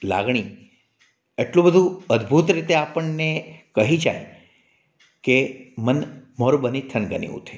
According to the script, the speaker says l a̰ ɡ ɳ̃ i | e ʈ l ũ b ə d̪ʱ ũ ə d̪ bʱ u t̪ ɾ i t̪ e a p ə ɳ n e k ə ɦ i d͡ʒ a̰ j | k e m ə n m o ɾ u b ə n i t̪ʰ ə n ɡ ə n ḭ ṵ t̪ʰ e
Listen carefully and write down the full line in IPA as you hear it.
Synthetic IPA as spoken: l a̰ ɡ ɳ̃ i | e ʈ l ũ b ə d̪ʱ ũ ə d̪ bʱ u t̪ ɾ i t̪ e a p ə ɳ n e k ə ɦ i d͡ʒ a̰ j | k e m ə n m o ɾ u b ə n i t̪ʰ ə n ɡ ə n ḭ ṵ t̪ʰ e